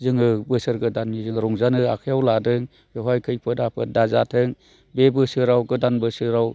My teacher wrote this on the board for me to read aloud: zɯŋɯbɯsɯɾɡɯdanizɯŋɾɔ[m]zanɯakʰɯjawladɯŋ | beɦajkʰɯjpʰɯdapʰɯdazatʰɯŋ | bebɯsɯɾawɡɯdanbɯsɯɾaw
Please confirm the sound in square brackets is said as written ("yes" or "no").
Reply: no